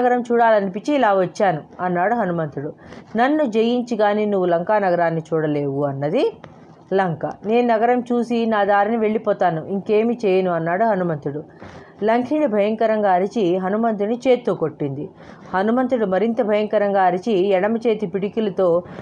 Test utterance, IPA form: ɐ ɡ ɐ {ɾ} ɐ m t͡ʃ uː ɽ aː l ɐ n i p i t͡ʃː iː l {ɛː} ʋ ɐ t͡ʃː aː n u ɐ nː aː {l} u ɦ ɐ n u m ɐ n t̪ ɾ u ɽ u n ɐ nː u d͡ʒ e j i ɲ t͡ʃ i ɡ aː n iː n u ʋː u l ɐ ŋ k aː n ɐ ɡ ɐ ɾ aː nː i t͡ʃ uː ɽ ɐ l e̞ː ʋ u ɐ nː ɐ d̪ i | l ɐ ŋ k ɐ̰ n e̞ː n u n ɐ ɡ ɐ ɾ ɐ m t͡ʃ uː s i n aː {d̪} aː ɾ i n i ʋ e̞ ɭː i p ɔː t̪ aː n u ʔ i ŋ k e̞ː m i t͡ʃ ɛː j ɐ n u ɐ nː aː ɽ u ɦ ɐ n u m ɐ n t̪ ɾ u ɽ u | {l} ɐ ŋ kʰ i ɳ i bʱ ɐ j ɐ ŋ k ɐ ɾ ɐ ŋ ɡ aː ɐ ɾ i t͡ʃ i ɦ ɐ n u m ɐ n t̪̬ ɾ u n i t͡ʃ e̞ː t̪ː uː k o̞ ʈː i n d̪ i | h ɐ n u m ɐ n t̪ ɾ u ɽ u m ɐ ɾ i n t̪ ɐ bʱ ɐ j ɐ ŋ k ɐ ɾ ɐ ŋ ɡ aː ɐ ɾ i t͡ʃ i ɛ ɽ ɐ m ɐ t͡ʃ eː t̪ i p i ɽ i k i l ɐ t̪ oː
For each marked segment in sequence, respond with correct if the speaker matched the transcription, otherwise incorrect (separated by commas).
correct, incorrect, incorrect, correct, correct